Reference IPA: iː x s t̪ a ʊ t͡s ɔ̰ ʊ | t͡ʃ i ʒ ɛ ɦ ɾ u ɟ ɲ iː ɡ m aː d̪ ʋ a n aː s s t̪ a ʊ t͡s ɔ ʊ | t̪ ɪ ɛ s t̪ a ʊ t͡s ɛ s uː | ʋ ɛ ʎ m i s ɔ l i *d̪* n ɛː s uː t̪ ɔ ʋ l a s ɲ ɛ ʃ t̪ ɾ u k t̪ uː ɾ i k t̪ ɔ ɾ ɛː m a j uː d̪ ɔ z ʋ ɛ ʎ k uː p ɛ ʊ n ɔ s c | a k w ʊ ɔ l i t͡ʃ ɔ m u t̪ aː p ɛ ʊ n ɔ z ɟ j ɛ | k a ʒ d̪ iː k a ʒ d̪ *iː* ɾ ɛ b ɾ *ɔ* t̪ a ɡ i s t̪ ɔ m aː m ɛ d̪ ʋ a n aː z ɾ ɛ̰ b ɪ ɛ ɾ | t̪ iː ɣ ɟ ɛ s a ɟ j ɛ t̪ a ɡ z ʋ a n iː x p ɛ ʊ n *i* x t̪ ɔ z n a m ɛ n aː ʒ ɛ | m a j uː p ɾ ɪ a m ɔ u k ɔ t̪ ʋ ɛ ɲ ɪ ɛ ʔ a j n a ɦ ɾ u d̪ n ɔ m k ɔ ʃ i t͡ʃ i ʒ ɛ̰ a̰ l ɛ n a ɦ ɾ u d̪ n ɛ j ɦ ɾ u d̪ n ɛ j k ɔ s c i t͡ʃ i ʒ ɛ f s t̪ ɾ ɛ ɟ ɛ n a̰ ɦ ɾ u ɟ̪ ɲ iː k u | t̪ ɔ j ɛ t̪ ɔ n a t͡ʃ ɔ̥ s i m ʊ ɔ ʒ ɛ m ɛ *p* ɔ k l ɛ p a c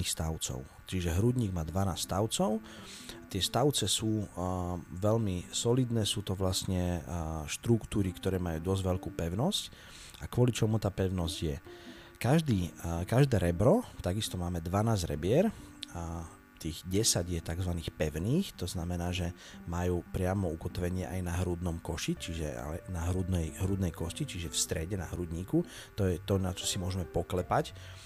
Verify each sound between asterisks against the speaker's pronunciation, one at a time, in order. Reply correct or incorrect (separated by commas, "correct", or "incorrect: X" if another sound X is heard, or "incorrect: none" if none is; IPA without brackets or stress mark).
correct, incorrect: ɛː, correct, incorrect: iː, correct